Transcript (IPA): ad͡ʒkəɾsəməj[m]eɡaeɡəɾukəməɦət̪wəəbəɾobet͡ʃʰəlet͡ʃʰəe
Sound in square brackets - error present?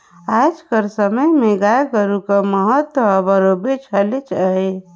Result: no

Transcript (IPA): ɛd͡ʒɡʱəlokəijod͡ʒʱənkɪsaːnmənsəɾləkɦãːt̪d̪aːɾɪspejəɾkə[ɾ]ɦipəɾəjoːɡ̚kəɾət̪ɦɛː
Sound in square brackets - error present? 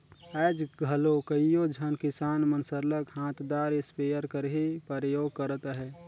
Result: no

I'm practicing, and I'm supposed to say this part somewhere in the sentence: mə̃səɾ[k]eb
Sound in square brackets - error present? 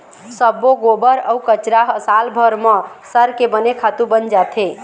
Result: no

